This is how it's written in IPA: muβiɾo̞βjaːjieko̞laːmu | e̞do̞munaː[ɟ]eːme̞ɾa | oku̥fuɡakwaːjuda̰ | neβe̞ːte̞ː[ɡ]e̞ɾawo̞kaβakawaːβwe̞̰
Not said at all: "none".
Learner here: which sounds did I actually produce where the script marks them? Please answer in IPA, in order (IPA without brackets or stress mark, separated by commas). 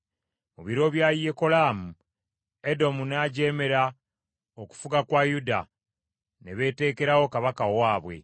ɟ, k